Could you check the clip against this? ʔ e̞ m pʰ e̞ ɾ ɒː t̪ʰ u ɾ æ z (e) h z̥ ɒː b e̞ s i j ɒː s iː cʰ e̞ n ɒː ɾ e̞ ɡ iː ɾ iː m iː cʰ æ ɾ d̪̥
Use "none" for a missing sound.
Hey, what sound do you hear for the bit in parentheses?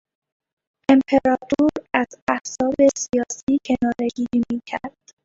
æ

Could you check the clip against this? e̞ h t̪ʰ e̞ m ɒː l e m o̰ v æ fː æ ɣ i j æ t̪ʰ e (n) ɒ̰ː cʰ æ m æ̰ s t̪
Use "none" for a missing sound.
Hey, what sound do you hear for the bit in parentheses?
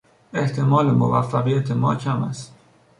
m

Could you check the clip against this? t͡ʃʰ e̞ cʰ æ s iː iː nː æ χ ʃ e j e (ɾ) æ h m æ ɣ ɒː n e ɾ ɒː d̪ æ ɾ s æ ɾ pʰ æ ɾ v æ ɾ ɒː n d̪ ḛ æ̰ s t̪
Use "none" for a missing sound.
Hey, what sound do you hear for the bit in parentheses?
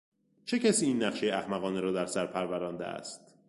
none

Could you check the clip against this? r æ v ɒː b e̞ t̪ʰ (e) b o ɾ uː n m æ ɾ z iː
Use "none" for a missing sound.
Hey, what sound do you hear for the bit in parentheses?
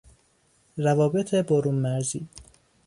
e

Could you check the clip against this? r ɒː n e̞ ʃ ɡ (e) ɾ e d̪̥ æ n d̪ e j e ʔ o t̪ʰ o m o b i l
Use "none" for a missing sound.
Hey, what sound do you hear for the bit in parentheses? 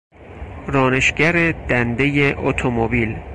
æ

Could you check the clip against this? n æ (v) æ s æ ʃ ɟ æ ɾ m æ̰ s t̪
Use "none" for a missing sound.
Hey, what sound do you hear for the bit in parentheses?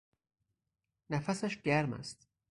f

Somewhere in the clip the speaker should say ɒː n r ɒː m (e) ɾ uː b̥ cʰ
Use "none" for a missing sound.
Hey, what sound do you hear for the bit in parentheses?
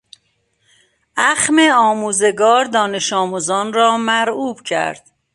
æ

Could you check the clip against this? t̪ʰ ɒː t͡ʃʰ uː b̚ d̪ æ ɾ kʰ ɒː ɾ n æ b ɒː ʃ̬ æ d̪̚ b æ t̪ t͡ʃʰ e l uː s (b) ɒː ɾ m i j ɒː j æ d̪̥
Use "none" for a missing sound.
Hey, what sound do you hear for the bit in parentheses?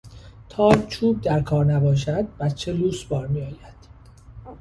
b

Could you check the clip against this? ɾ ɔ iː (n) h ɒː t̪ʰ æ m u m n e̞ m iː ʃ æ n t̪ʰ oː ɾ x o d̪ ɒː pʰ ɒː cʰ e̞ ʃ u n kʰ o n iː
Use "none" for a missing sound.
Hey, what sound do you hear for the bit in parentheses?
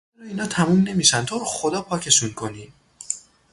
n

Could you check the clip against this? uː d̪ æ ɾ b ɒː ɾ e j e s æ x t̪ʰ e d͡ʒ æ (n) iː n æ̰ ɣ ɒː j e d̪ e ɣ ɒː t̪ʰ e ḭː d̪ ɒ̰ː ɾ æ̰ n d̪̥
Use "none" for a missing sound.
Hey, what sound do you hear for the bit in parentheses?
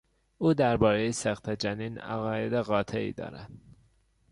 n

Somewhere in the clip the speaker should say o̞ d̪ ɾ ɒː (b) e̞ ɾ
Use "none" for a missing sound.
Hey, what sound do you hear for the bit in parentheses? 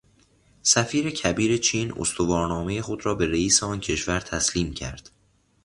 b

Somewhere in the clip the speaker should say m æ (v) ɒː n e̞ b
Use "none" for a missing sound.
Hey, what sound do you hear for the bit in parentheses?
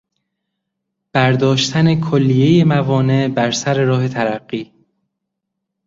v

